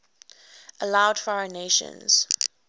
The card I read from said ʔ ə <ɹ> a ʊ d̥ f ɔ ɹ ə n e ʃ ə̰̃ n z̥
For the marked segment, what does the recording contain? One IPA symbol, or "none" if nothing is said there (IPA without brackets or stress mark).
l